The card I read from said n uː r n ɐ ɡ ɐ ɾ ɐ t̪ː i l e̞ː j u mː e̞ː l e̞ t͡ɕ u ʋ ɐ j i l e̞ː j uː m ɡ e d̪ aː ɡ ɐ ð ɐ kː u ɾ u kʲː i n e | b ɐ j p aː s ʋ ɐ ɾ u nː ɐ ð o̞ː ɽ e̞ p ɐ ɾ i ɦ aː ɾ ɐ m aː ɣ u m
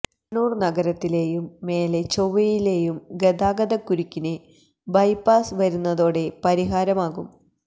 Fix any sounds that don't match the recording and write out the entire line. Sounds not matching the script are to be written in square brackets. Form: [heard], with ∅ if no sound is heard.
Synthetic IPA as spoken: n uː r n ɐ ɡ ɐ ɾ ɐ t̪ː i l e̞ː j u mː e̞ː l e̞ t͡ɕ [o] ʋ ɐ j i l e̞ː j [u] m ɡ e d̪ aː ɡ ɐ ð ɐ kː u ɾ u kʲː i n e | b ɐ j p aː s ʋ ɐ ɾ u nː ɐ ð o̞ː ɽ e̞ p ɐ ɾ i ɦ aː ɾ ɐ m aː ɣ u m